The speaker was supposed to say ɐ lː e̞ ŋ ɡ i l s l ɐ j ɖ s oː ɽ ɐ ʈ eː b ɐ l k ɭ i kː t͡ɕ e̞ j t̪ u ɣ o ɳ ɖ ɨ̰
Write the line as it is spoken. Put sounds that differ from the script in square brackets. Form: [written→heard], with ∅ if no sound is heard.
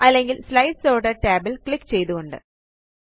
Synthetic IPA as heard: ɐ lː e̞ ŋ ɡ i l s l ɐ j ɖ s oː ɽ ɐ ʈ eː b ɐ l k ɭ i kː t͡ɕ e̞ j t̪ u ɣ o ɳ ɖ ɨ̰